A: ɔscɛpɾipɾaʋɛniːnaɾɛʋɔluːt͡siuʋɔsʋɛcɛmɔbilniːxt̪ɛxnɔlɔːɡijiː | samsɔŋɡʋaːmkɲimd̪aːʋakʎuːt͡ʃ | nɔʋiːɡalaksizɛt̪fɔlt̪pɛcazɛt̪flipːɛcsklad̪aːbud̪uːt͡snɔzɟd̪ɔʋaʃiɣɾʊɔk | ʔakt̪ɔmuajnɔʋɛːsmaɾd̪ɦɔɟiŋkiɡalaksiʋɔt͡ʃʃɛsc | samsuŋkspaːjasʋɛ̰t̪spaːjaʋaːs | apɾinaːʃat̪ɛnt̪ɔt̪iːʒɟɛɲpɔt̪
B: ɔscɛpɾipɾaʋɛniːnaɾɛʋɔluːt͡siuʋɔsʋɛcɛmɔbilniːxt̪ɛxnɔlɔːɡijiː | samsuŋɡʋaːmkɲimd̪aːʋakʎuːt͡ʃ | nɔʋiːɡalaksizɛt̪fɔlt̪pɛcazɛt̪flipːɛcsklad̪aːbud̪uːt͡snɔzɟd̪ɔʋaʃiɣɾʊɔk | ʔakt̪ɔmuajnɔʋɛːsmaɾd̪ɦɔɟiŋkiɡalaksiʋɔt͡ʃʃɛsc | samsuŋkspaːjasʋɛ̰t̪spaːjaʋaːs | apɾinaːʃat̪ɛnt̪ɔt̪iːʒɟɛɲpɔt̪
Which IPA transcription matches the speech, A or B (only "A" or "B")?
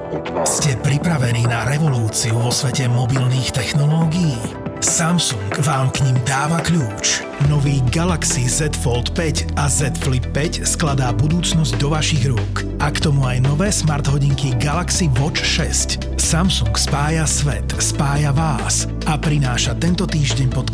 B